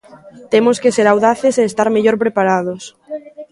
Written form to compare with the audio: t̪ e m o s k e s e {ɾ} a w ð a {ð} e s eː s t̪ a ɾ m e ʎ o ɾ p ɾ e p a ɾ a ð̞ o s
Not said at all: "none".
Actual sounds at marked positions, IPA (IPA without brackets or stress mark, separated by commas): ɾ, θ